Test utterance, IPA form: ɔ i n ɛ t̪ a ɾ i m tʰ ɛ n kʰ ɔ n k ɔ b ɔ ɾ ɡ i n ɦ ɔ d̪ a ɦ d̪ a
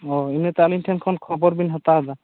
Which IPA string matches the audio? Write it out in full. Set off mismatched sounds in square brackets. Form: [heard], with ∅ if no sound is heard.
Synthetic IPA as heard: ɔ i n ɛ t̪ a [l] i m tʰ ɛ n kʰ ɔ n [kʰ] ɔ b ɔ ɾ [b] i n ɦ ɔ [t̪] a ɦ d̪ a